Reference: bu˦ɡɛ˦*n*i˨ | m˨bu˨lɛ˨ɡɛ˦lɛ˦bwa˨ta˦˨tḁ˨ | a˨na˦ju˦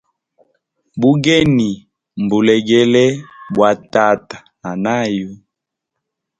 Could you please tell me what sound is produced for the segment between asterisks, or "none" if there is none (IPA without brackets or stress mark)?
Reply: n